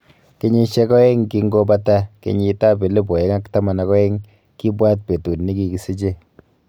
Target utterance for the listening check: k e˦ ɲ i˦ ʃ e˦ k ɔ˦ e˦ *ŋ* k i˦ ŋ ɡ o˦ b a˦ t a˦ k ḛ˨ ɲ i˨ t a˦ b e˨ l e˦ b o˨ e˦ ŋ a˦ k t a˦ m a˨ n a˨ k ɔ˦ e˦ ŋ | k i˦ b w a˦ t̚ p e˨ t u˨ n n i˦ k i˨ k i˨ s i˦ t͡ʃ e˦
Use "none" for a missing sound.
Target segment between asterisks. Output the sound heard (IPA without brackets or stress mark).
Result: ŋ